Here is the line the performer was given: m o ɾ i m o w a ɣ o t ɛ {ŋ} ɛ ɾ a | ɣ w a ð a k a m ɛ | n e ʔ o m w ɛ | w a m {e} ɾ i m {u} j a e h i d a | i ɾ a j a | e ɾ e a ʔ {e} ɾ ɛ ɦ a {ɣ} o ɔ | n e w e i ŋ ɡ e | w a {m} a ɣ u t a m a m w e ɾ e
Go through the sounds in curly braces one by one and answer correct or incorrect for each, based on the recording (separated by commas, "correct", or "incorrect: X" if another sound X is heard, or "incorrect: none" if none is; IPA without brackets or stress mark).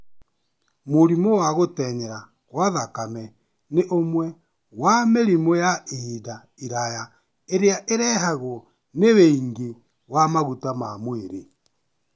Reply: incorrect: ɲ, correct, incorrect: o, correct, correct, correct